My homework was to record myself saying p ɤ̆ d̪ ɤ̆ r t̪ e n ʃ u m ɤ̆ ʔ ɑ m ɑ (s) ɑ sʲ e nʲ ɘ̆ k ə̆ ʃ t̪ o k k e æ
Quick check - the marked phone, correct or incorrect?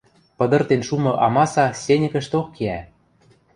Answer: correct